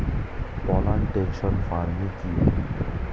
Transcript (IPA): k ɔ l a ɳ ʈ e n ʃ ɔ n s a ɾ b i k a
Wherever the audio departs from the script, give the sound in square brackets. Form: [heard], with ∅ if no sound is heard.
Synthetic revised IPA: [p] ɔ l a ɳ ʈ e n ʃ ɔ n [f] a ɾ [m] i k [i]